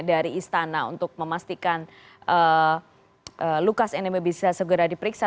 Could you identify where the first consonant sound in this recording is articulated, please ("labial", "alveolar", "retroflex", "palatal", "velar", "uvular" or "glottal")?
alveolar